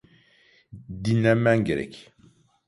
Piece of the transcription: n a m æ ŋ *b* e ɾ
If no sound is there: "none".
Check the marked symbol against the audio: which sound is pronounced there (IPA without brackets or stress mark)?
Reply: ɡ